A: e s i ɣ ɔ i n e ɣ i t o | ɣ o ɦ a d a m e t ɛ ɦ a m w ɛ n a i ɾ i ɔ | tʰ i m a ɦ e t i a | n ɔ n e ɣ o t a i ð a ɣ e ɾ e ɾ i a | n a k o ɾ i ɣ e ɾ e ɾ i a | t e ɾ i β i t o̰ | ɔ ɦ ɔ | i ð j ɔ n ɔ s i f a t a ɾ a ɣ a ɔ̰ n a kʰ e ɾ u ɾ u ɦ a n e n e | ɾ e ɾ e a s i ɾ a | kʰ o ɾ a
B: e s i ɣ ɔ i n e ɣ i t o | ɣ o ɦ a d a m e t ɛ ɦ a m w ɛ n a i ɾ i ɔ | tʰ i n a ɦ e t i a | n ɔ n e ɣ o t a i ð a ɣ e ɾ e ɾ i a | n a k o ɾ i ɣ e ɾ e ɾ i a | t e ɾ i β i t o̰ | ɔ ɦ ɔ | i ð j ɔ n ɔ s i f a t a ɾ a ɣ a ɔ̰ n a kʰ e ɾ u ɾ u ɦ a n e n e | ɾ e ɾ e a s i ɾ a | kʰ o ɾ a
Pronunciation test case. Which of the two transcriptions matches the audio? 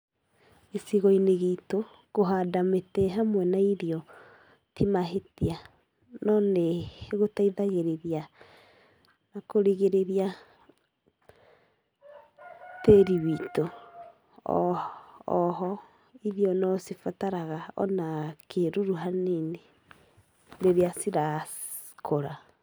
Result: A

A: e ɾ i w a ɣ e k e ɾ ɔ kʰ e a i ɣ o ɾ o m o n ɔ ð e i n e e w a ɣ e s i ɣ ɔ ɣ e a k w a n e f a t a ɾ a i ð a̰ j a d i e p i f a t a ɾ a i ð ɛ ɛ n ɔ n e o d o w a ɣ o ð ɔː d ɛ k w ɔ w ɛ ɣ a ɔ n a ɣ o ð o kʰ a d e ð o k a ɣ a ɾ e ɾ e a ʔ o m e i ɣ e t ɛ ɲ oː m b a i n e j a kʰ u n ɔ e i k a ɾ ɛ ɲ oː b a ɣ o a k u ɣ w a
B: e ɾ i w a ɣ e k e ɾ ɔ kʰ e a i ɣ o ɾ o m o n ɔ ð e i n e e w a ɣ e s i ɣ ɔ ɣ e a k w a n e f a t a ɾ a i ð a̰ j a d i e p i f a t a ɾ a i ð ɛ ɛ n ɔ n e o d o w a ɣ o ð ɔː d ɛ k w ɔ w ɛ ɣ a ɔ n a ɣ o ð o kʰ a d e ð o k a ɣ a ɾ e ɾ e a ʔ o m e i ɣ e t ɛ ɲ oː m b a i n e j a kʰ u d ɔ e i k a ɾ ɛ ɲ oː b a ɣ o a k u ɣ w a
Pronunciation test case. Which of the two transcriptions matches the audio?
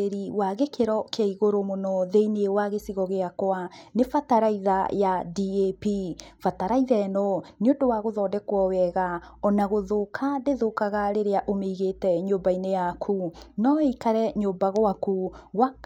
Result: A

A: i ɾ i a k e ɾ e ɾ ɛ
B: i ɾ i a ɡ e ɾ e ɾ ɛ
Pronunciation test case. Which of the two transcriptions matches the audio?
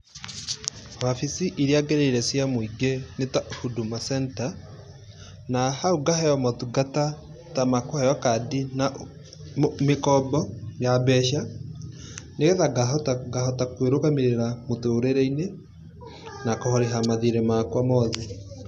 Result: B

